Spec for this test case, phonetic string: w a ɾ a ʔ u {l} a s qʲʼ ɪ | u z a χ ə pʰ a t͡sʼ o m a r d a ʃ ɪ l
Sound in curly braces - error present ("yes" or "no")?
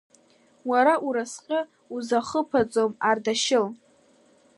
yes